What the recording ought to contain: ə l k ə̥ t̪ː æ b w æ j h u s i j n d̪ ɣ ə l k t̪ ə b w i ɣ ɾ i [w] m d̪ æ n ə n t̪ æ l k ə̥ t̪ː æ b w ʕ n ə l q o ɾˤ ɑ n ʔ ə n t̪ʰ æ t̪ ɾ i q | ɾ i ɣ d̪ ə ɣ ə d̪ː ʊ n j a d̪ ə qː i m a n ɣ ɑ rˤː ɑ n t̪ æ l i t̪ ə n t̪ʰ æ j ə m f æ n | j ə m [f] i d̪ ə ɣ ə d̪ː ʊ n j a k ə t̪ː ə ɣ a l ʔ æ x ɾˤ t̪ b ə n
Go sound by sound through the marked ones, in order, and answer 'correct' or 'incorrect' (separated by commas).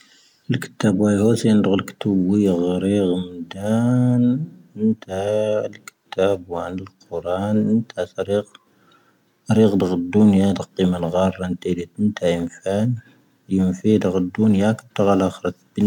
incorrect, correct